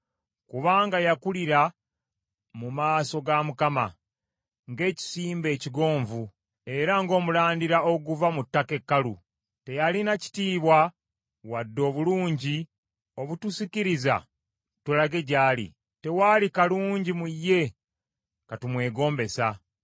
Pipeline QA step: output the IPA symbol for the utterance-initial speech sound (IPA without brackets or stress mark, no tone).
k